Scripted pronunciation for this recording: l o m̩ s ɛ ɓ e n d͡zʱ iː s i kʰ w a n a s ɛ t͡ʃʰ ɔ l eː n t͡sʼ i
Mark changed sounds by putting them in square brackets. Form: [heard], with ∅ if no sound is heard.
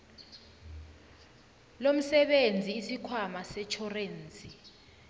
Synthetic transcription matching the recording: l o m̩ s ɛ ɓ e n d͡zʱ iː s i kʰ w a [m] a s ɛ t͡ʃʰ ɔ [r] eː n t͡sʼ i